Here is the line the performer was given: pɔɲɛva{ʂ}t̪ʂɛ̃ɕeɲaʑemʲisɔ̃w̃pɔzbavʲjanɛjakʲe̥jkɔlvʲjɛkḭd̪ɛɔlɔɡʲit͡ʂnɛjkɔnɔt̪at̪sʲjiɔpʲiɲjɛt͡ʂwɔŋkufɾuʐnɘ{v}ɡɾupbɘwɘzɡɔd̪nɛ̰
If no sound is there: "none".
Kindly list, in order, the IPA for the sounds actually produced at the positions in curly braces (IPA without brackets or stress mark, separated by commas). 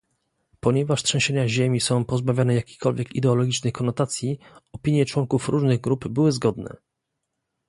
ʂ, ɣ